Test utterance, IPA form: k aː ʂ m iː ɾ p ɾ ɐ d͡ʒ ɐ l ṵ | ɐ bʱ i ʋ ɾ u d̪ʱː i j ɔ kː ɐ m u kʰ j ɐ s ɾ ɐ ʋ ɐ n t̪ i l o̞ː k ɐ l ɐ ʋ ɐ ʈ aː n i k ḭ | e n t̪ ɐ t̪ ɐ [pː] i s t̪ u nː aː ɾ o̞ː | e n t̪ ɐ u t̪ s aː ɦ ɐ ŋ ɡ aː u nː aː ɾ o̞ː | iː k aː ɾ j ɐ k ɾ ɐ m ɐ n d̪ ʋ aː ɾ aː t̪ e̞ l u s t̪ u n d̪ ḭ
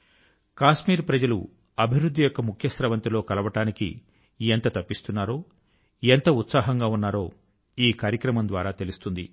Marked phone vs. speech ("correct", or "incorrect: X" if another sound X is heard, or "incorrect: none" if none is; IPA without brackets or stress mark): correct